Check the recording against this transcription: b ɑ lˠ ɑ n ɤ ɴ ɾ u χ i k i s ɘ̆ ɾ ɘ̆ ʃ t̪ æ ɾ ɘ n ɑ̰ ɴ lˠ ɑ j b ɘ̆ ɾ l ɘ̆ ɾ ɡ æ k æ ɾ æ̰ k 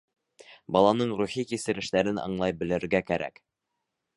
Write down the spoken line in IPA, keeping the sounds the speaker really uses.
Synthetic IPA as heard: b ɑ lˠ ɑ n ɤ ɴ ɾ u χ i k i s ɘ̆ ɾ ɘ̆ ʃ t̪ æ ɾ ɘ n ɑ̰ ɴ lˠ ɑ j b ɘ̆ l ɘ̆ ɾ ɡ æ k æ ɾ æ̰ k